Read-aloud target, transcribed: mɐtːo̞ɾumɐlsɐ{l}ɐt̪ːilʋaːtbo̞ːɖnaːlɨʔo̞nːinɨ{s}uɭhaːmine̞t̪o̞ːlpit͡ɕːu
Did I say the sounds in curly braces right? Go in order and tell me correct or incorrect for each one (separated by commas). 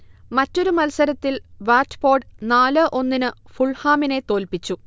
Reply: incorrect, incorrect